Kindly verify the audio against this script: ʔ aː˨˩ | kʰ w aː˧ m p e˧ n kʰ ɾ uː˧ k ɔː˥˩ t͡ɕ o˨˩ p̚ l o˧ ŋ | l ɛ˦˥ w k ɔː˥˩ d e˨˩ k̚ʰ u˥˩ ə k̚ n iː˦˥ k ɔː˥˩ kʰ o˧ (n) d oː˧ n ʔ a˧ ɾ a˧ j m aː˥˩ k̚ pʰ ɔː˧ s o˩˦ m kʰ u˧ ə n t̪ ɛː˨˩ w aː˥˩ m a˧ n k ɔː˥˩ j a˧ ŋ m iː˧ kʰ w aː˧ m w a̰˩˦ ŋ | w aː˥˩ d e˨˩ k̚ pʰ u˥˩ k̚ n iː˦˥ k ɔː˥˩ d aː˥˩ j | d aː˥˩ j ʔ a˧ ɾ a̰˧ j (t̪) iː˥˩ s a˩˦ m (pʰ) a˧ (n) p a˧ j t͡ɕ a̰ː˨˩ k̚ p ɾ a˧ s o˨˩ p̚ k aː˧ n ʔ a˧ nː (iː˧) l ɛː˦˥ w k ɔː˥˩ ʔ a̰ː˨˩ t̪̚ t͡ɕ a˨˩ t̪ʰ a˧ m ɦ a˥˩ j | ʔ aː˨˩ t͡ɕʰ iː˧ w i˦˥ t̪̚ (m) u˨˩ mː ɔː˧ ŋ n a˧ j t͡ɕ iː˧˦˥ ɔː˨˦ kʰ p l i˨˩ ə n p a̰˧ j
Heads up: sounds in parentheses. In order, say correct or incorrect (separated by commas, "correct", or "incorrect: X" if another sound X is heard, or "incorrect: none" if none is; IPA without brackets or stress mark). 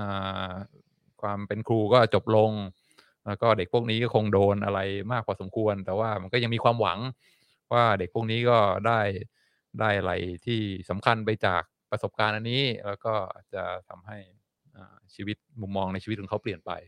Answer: incorrect: ŋ, incorrect: t̪ʰ, incorrect: kʰ, correct, incorrect: iː˦˥, correct